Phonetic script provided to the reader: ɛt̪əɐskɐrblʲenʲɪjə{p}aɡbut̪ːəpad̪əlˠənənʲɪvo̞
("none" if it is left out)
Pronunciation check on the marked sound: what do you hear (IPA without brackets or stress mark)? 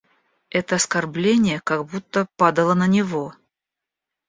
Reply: k